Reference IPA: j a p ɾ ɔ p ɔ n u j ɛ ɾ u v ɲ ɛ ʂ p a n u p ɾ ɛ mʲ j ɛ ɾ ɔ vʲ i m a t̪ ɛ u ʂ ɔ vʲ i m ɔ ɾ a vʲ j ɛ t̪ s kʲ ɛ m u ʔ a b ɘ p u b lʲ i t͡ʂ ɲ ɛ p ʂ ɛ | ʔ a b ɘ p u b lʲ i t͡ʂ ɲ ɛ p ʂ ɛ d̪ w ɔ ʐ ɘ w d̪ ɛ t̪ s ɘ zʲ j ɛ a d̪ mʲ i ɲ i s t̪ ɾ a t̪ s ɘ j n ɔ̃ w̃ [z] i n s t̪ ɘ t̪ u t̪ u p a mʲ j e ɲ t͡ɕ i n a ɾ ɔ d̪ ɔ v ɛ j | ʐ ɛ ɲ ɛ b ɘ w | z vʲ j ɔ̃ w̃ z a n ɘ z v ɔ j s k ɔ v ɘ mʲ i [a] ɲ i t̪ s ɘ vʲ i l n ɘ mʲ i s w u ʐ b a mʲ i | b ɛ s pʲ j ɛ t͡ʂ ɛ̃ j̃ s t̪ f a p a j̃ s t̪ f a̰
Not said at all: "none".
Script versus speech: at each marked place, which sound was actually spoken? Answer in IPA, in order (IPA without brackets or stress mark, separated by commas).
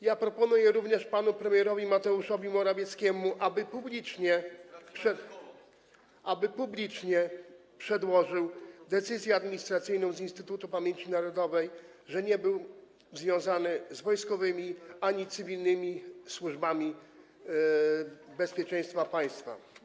z, a